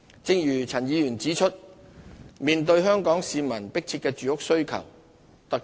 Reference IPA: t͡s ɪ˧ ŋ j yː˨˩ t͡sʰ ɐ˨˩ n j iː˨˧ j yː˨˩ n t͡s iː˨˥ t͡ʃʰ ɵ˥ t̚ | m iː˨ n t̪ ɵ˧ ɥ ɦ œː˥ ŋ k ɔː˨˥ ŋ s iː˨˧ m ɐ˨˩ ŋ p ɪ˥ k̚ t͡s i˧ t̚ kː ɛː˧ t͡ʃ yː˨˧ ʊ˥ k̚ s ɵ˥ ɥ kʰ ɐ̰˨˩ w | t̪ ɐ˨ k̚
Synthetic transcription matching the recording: t͡s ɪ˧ ŋ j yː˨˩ t͡sʰ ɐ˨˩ n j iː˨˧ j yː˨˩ n t͡s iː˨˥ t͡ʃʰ ɵ˥ t̚ | m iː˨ n t̪ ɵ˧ ɥ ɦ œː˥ ŋ k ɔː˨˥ ŋ s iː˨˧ m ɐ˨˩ n p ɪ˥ k̚ t͡sʰ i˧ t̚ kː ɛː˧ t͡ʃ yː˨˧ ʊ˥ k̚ s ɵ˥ ɥ kʰ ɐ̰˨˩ w | t̪ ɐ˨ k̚